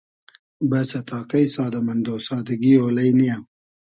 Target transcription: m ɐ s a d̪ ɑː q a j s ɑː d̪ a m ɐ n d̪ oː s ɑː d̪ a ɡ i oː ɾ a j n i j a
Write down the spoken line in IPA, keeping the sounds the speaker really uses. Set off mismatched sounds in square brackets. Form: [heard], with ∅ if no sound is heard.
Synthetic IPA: [b] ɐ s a [t̪] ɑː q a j s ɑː d̪ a m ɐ n d̪ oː s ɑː d̪ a ɡ i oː [l] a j n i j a